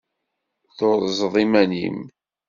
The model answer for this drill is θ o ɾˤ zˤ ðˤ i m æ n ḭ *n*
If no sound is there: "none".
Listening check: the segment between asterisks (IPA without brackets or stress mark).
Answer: m